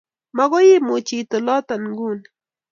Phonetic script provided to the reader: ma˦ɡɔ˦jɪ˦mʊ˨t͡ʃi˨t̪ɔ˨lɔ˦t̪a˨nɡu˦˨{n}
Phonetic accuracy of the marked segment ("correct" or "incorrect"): correct